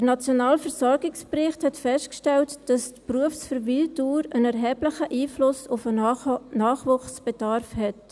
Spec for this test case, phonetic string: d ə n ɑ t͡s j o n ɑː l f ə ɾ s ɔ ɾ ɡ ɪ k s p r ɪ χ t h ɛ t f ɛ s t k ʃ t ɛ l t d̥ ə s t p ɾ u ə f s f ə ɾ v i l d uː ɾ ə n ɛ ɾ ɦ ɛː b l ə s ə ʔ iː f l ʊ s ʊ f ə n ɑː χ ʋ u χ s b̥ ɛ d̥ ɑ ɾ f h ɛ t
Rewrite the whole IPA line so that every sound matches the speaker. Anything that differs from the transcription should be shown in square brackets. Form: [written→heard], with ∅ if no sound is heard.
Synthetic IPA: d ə n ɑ t͡s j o n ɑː l f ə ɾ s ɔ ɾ ɡ ɪ k s p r ɪ χ t h ɛ t f ɛ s t k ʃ t ɛ l t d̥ [ə→ɑ] s t p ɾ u ə f s f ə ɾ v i l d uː ɾ ə n ɛ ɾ ɦ ɛː b l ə [s→χ] ə ʔ iː f l ʊ s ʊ f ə n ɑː χ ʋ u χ s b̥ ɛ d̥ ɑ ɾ f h ɛ t